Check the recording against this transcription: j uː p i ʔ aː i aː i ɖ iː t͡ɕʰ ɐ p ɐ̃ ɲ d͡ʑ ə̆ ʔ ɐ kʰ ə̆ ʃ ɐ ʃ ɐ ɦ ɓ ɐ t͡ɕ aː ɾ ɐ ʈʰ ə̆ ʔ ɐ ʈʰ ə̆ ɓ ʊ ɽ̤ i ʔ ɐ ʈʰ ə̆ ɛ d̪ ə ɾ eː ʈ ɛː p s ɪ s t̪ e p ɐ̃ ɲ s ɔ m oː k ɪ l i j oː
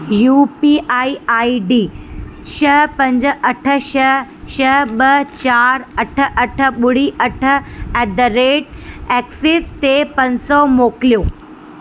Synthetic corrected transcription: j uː p i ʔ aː i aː i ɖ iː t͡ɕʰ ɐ p ɐ̃ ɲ d͡ʑ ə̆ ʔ ɐ ʈʰ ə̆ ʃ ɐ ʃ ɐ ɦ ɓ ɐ t͡ɕ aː ɾ ɐ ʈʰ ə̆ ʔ ɐ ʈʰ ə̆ ɓ ʊ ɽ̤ i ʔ ɐ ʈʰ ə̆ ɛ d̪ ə ɾ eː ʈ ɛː k s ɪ s t̪ e p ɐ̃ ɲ s ɔ m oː k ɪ l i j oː